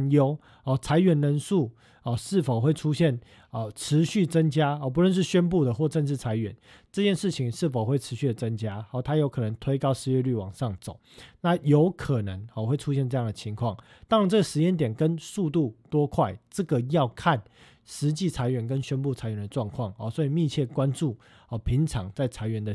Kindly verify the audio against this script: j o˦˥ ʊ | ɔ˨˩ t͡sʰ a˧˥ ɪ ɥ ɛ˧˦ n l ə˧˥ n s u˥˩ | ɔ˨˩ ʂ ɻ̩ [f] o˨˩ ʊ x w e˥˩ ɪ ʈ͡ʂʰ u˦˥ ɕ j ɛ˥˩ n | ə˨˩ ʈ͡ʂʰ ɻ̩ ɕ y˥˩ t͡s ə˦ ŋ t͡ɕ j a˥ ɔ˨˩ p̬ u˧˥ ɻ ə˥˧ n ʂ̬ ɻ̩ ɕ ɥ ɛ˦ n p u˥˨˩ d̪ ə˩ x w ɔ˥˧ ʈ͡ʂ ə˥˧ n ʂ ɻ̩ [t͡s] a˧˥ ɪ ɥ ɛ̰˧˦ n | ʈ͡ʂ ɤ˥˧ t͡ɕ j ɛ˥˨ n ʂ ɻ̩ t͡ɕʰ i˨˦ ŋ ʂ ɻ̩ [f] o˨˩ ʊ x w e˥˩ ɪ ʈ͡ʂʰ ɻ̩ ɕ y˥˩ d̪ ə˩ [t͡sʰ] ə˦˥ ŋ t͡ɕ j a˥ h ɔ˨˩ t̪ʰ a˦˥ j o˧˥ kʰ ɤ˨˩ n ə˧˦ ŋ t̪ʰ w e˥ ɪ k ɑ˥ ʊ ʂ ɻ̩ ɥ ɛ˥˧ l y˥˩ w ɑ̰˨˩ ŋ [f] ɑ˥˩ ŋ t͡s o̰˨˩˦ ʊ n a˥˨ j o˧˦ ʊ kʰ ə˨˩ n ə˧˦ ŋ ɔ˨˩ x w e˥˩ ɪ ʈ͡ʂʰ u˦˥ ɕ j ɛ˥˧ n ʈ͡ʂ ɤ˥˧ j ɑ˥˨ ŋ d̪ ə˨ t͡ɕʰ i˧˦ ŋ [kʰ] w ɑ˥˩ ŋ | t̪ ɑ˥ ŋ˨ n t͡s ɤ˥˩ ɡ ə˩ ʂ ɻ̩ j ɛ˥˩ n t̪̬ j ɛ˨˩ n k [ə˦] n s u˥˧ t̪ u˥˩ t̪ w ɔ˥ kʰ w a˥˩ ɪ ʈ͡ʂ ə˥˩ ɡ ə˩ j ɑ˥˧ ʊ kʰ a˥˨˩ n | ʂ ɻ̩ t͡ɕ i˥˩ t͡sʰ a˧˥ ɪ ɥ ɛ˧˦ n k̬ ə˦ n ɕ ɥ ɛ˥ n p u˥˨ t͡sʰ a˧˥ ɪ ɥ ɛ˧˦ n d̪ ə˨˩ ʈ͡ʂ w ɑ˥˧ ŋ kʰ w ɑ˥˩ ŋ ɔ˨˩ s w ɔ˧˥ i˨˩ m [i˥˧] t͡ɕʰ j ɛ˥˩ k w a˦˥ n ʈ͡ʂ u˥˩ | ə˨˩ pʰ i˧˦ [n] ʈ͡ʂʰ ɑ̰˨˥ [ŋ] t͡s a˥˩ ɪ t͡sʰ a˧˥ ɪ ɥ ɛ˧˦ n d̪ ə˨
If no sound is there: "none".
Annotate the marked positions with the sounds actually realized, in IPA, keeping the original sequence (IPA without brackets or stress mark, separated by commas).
f, t͡sʰ, f, t͡s, ʂ, kʰ, ə˦, i˥˧, ŋ, ŋ